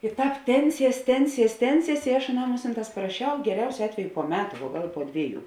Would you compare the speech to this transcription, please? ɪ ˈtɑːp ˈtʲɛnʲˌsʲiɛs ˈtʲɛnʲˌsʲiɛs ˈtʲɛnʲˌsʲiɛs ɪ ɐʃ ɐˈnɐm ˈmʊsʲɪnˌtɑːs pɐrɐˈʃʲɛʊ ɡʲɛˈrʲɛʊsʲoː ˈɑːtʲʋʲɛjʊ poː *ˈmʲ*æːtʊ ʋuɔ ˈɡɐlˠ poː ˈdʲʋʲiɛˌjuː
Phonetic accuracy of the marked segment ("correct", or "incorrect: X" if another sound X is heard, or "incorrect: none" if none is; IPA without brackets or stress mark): correct